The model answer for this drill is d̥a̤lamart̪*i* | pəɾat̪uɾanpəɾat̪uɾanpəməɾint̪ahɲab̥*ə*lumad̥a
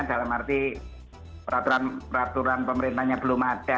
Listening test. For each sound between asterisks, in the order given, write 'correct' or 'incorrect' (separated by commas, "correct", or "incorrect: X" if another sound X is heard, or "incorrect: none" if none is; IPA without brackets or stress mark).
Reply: correct, correct